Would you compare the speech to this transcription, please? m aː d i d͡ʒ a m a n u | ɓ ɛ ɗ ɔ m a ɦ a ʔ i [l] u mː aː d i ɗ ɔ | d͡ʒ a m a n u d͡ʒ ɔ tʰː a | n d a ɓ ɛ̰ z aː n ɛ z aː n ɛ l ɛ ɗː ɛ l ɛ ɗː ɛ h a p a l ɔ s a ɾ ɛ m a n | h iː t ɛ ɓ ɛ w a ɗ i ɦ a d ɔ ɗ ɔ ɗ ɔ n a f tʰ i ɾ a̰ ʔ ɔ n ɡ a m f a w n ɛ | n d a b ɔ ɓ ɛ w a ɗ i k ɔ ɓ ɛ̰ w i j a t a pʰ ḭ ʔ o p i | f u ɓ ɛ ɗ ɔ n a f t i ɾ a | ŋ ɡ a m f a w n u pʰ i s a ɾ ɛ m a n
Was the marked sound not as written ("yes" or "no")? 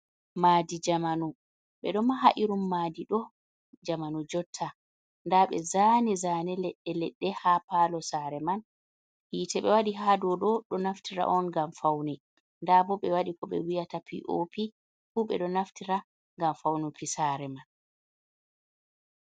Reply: yes